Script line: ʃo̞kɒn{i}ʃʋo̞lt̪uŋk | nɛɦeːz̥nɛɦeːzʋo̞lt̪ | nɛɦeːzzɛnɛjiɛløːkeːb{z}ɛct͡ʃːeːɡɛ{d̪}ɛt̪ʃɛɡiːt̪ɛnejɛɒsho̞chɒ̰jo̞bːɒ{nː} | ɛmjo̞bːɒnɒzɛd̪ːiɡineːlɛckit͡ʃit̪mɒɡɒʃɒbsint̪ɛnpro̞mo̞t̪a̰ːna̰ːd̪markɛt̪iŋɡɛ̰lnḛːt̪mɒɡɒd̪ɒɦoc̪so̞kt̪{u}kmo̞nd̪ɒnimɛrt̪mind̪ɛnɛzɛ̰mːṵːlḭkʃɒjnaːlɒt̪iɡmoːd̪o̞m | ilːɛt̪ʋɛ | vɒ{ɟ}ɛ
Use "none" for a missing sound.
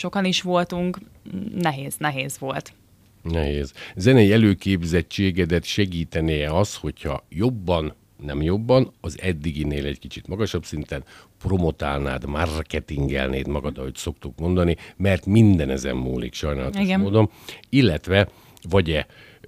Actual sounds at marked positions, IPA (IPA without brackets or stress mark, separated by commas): i, z, d̪, nː, u, ɟ